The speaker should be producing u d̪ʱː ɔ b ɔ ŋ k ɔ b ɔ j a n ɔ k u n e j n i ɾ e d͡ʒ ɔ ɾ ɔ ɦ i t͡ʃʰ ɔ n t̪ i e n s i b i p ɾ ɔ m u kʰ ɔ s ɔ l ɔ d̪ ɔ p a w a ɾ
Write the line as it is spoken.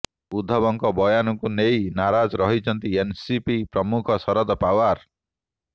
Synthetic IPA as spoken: u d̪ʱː ɔ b ɔ ŋ k ɔ b ɔ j a n ɔ k u n e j n a ɾ a d͡ʒ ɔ ɾ ɔ ɦ i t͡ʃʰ ɔ n t̪ i e n s i p i p ɾ ɔ m u kʰ ɔ s ɔ ɾ ɔ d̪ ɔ p a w a ɾ